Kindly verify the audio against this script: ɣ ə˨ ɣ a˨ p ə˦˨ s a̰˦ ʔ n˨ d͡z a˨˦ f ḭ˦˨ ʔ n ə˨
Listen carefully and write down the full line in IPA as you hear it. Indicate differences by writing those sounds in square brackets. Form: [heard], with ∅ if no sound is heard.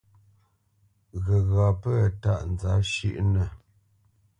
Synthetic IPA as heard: ɣ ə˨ ɣ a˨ p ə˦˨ [t] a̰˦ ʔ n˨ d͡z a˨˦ [ʃ] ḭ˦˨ ʔ n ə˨